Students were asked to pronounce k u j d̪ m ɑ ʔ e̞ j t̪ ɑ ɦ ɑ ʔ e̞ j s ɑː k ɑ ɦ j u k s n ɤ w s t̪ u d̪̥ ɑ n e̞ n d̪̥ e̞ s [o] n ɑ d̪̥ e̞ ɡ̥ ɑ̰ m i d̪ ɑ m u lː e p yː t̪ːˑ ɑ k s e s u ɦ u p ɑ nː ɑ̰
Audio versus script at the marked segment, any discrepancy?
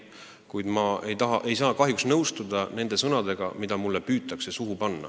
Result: yes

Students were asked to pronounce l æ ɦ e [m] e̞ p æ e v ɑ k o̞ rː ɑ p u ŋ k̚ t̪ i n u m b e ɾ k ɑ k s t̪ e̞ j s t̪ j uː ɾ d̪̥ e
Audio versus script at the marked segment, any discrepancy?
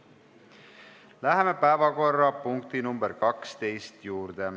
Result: no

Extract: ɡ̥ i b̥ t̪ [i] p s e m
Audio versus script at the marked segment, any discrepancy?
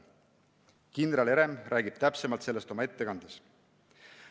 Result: yes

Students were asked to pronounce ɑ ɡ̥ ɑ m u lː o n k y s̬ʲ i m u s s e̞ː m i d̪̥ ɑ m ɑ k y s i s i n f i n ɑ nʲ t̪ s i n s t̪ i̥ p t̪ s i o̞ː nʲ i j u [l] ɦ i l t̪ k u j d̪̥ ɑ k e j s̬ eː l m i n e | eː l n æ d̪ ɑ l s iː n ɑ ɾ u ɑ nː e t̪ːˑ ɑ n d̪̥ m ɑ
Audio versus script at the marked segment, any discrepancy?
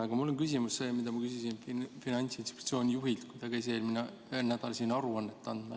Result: yes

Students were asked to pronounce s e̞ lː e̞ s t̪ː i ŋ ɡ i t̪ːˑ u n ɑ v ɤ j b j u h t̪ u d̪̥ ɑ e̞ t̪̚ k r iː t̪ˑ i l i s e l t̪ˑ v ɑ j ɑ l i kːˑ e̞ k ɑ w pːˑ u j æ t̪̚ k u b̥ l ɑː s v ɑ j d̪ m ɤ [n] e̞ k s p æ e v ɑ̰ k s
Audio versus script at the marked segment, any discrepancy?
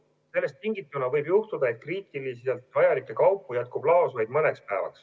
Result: no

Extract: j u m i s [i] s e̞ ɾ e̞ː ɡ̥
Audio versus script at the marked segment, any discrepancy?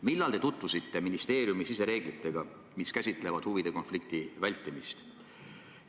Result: no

